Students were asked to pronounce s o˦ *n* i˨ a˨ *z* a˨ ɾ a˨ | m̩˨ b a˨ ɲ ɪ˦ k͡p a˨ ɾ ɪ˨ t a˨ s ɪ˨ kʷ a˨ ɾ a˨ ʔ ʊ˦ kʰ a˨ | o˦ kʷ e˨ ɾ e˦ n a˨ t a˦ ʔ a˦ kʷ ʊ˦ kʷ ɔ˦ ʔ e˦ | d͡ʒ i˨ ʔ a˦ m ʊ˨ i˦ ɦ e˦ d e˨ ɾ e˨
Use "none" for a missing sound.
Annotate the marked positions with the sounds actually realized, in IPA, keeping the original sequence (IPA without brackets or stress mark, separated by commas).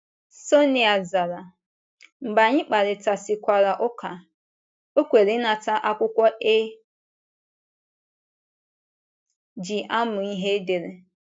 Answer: n, z